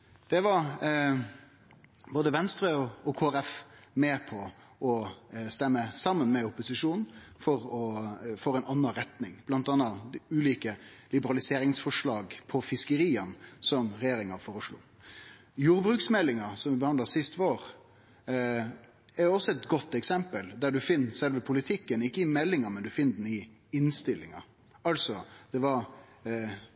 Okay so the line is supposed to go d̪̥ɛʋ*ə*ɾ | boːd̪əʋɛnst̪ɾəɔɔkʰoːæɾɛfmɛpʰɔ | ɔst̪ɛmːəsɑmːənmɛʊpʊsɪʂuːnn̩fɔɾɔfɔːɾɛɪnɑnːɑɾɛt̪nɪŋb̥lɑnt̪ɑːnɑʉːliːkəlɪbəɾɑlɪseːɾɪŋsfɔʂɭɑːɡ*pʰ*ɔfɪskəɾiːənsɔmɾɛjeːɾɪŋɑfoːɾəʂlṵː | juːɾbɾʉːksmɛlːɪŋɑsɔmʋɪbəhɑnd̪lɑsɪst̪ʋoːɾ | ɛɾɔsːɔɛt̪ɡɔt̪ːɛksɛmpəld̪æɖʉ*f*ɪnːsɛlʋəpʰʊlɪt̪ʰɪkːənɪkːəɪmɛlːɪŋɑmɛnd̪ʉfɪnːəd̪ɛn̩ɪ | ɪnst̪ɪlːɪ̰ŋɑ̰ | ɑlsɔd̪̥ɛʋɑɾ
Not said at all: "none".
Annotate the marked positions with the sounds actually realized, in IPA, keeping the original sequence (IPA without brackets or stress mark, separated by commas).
ɑ, pʰ, f